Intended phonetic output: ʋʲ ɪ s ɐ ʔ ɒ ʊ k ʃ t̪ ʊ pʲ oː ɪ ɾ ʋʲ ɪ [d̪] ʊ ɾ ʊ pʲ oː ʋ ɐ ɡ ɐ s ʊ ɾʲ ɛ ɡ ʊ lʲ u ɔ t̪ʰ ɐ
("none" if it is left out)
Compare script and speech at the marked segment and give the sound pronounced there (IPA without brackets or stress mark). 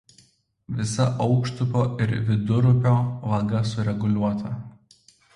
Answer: d̪